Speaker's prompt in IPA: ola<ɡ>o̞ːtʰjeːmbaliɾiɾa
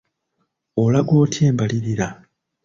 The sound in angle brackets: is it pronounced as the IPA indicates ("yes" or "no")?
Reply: yes